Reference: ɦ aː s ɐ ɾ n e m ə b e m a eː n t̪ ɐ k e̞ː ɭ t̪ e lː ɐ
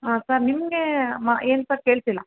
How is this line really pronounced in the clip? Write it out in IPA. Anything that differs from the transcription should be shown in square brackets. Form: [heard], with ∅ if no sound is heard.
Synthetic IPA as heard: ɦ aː s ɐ ɾ n [i] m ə [ɡ] e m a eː n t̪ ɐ k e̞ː ɭ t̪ [i] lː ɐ